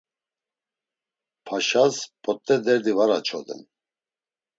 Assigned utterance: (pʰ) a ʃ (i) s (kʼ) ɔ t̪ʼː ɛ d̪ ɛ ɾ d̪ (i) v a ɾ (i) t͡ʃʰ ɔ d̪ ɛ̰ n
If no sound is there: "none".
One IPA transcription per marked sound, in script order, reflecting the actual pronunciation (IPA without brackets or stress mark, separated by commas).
pʰ, a, pʼ, i, a